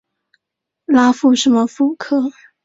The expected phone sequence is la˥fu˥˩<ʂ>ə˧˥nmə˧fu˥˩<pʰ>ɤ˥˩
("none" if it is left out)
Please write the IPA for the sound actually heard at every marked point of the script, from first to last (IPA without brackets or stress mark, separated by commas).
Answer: ʂ, kʰ